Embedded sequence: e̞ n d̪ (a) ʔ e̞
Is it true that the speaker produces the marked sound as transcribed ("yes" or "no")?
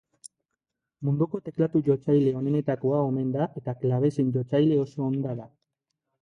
yes